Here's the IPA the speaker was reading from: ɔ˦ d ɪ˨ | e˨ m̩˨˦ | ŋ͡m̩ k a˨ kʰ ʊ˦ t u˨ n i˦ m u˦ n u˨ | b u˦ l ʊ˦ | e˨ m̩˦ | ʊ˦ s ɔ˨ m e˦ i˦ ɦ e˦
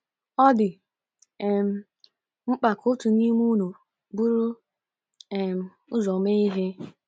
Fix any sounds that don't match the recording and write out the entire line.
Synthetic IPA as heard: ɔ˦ d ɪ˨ | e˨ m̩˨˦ | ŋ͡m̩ k͡p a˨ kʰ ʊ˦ t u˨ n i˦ m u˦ n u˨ | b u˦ ɾ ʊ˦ | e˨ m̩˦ | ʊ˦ z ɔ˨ m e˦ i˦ ɦ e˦

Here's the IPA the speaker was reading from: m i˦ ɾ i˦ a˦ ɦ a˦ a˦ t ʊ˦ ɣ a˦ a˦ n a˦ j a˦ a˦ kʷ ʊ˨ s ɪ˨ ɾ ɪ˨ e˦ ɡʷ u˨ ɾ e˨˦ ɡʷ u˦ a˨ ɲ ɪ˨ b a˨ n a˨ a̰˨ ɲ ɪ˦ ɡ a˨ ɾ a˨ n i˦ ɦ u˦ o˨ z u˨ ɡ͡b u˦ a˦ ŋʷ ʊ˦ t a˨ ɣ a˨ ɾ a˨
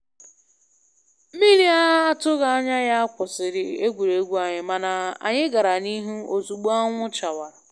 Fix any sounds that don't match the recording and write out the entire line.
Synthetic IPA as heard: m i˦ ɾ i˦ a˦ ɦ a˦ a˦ t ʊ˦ ɣ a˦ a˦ ɲ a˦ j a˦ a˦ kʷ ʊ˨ s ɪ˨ ɾ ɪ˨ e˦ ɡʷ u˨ ɾ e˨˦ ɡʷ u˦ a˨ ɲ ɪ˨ m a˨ n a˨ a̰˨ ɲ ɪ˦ ɡ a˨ ɾ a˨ n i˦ ɦ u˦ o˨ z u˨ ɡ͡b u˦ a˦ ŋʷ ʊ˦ t͡ʃ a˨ w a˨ ɾ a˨

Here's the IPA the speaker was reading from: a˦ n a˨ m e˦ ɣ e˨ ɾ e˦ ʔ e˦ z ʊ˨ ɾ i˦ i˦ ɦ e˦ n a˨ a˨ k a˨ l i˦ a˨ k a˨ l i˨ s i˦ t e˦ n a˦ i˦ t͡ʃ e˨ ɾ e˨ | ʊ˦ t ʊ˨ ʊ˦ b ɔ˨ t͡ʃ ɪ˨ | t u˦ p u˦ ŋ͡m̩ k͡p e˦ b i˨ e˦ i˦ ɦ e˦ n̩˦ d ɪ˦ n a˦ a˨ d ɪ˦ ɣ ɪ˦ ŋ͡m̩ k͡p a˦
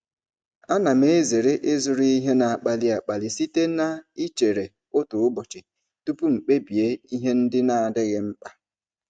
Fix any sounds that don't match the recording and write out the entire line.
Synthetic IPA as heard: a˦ n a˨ m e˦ z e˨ ɾ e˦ ʔ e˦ z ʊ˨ ɾ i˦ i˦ ɦ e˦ n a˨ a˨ k͡p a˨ l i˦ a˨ k͡p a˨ l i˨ s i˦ t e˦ n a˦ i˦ t͡ʃ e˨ ɾ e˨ | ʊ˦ t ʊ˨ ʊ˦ b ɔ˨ t͡ʃ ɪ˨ | t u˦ p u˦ ŋ͡m̩ k͡p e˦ b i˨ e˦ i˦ ɦ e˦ n̩˦ d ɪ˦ n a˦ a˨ d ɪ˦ ɣ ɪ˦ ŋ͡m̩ k͡p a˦

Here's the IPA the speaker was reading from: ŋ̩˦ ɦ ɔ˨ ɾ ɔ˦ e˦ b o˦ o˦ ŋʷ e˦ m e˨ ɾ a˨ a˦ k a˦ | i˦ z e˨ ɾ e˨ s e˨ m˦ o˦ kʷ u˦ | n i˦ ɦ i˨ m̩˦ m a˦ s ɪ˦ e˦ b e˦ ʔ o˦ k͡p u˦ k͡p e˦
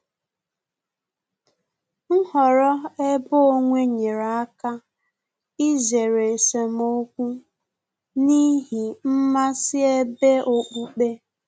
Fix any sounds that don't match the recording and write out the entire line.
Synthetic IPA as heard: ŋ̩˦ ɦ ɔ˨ ɾ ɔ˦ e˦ b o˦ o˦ ŋʷ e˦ ɲ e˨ ɾ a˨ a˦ k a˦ | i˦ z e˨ ɾ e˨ s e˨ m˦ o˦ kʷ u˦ | n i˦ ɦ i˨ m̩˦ m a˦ s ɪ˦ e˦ b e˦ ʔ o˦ k͡p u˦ k͡p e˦

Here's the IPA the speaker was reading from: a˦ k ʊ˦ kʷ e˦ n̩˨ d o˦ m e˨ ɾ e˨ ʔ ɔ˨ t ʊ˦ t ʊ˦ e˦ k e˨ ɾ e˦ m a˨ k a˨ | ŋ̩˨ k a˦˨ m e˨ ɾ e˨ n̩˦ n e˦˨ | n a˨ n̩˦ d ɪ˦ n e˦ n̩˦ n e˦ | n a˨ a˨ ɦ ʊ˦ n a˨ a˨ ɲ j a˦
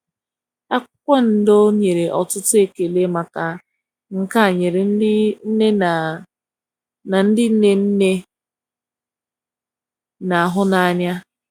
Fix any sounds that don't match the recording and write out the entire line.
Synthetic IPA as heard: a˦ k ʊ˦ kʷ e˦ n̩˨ d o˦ ɲ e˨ ɾ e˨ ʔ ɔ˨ t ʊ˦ t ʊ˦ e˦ k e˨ l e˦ m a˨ k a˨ | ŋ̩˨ k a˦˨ ɲ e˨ ɾ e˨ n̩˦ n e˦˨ | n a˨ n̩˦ d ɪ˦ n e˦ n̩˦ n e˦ | n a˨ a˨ ɦ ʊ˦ n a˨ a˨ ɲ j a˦

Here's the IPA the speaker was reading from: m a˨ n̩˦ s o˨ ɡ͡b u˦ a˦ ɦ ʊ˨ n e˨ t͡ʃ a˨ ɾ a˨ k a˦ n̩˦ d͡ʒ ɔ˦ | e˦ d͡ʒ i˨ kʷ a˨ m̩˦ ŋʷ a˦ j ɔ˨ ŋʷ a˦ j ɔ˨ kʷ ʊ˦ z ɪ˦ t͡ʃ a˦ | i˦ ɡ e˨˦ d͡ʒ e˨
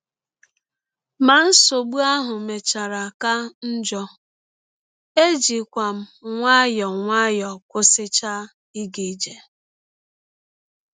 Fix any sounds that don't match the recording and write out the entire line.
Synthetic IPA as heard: m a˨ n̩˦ s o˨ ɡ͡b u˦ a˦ ɦ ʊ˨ m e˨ t͡ʃ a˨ ɾ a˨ k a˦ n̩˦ d͡ʒ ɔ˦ | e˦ d͡ʒ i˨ kʷ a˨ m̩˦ ŋʷ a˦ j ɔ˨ ŋʷ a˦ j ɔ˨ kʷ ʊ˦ s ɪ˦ t͡ʃ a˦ | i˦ ɡ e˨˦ d͡ʒ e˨

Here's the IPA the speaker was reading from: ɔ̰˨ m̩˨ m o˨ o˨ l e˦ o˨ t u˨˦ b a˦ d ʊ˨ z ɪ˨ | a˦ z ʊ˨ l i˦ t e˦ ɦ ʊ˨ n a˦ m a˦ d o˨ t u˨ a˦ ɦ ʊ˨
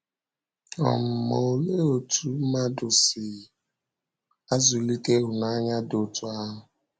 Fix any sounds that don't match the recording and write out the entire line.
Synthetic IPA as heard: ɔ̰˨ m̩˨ m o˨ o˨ l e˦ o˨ t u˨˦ m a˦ d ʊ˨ s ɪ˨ | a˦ z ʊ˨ l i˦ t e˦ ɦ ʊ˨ n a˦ ɲ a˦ d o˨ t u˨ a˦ ɦ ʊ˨

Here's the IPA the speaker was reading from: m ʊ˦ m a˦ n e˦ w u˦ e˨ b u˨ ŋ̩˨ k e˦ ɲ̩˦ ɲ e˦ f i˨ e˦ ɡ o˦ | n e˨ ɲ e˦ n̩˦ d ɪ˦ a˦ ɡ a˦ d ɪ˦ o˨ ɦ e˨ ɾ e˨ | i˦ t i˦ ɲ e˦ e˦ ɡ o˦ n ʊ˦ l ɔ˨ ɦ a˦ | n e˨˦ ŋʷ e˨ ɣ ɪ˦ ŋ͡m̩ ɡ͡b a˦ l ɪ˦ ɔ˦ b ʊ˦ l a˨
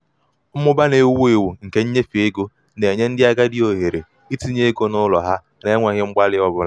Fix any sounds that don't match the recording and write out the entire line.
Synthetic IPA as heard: m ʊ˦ b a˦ n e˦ w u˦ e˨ w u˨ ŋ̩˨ k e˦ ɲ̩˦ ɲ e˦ f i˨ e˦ ɡ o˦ | n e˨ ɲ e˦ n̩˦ d ɪ˦ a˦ ɡ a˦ d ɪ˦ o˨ ɦ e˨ ɾ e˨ | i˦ t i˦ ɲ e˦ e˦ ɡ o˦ n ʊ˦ l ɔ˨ ɦ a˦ | n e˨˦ ŋʷ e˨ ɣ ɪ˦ ŋ͡m̩ ɡ͡b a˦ l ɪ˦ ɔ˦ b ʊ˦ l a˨

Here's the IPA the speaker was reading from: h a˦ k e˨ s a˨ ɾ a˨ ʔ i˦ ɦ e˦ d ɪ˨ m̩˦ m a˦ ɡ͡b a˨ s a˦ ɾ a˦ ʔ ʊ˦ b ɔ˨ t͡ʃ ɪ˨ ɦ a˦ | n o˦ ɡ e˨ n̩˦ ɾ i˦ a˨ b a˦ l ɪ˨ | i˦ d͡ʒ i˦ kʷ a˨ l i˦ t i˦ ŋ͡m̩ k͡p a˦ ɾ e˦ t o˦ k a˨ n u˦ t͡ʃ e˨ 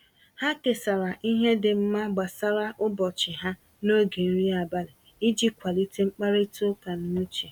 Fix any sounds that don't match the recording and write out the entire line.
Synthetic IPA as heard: h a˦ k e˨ s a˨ ɾ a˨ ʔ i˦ ɦ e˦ d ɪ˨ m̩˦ m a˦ ɡ͡b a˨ s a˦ ɾ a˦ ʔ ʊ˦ b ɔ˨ t͡ʃ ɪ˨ ɦ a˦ | n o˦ ɡ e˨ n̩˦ ɾ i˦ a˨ b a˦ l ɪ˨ | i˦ d͡ʒ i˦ kʷ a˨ l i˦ t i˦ ŋ͡m̩ k͡p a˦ ɾ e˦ t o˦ k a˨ n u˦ t͡ʃ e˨

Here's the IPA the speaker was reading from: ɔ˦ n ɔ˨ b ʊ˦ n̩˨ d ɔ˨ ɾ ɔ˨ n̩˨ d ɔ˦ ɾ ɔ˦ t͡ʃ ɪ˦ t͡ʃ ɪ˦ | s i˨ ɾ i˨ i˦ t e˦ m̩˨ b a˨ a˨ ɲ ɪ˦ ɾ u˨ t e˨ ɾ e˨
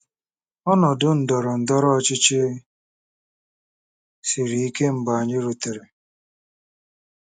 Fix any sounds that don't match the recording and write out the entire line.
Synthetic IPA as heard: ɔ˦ n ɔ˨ d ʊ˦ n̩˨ d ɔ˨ ɾ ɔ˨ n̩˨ d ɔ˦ ɾ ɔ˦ t͡ʃ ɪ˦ t͡ʃ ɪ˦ | s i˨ ɾ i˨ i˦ k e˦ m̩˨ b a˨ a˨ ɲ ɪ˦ ɾ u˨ t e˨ ɾ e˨

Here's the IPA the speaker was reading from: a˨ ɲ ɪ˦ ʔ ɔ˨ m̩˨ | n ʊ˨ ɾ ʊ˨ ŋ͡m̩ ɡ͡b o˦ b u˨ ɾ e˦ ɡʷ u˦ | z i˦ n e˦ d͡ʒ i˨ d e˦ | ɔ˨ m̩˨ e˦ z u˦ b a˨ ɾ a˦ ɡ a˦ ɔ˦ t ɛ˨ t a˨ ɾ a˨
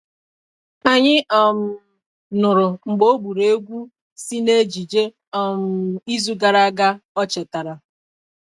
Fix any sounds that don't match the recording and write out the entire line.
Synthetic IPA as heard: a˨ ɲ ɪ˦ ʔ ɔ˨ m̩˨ | n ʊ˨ ɾ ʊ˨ ŋ͡m̩ ɡ͡b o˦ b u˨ ɾ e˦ ɡʷ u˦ | s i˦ n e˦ d͡ʒ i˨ d͡ʒ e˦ | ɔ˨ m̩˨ i˦ z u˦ ɡ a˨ ɾ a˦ ɡ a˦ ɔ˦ t͡ʃ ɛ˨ t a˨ ɾ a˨

